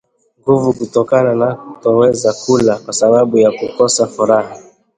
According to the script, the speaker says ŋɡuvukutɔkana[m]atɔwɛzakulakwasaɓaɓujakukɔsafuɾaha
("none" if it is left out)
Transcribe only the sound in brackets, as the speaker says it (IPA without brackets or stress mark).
n